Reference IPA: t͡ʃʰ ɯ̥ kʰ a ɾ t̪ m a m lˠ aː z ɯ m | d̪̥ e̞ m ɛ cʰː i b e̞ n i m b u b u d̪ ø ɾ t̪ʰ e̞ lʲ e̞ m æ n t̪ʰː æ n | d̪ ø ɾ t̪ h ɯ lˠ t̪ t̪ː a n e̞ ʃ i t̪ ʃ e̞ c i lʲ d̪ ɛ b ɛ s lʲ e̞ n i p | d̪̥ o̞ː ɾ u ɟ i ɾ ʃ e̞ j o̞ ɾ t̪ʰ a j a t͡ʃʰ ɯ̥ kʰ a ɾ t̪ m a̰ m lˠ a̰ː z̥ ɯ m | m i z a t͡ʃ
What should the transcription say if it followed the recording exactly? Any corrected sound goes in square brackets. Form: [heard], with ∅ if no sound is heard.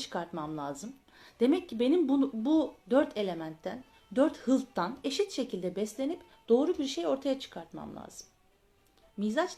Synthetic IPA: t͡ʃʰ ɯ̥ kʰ a ɾ t̪ m a m lˠ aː z ɯ m | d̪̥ e̞ m ɛ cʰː i b e̞ n i m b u b u d̪ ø ɾ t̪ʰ e̞ lʲ e̞ m æ n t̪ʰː æ n | d̪ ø ɾ t̪ h ɯ lˠ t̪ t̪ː a n e̞ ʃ i t̪ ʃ e̞ c i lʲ d̪ ɛ b ɛ s lʲ e̞ n i p | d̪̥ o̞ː ɾ u [b] i ɾ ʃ e̞ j o̞ ɾ t̪ʰ a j a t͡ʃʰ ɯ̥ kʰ a ɾ t̪ m a̰ m lˠ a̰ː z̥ ɯ m | m i z a t͡ʃ